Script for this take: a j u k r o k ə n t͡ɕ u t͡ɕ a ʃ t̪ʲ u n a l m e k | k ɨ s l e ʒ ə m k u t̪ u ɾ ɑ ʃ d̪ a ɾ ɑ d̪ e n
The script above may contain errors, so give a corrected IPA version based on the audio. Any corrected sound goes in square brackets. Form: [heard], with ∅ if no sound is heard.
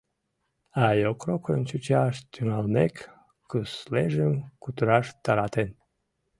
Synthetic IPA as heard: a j [o] k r o k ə n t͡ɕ u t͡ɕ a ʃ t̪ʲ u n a l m e k | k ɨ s l e ʒ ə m k u t̪ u ɾ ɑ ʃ [t̪] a ɾ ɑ [t̪] e n